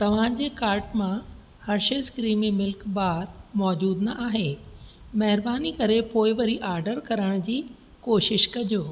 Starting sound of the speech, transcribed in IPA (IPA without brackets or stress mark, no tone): t̪